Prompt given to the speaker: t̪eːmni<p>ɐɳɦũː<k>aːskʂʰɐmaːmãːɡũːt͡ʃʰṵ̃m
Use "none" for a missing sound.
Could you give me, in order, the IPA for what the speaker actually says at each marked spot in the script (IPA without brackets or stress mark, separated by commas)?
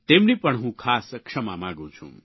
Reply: p, kʰ